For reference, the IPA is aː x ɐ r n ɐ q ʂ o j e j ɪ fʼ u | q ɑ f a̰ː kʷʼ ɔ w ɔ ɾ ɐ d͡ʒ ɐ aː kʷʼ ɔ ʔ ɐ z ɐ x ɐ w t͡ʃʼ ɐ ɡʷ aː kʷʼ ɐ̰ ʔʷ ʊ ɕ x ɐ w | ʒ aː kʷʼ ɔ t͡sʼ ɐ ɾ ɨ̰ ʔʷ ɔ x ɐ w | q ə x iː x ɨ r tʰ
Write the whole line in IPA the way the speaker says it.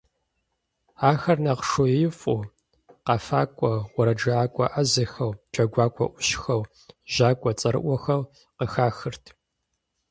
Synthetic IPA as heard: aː x ɐ r n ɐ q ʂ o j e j ɪ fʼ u | q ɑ f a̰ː kʷʼ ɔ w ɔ ɾ ɐ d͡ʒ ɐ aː kʷʼ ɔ ʔ ɐ z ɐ x ɐ w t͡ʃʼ ɐ ɡʷ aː kʷʼ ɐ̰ ʔʷ ʊ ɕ x ɐ w | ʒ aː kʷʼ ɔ t͡sʼ ɐ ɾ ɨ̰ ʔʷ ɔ x ɐ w | q ə x aː x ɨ r tʰ